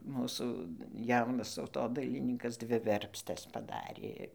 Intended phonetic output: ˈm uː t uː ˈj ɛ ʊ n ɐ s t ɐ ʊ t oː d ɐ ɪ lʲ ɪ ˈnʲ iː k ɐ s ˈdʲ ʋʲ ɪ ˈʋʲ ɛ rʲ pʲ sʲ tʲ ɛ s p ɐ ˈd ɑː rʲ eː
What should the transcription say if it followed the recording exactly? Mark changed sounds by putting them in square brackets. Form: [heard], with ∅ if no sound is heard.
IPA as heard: ˈm uː [s] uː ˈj ɛ ʊ n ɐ s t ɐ ʊ t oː d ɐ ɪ lʲ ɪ ˈnʲ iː k ɐ s ˈdʲ ʋʲ ɪ ˈʋʲ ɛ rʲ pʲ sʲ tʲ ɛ s p ɐ ˈd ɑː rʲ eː